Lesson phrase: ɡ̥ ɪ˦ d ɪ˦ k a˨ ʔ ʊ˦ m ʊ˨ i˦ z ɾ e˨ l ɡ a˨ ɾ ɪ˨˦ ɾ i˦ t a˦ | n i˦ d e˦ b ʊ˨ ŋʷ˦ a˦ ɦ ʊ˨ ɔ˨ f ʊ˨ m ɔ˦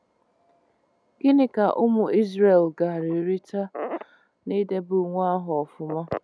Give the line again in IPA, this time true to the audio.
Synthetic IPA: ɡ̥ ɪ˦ n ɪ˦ k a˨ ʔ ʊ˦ m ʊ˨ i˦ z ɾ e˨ l ɡ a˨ ɾ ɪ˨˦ ɾ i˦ t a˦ | n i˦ d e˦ b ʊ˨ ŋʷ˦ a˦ ɦ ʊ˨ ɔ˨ f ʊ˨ m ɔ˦